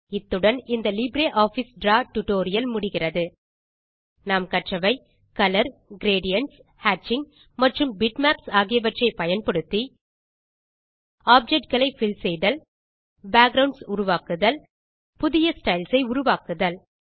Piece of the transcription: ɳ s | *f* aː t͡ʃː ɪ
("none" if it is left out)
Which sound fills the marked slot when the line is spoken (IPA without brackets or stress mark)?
h